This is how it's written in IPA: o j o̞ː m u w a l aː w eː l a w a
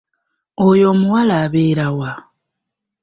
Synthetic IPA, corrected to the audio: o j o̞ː m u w a l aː β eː ɾ a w a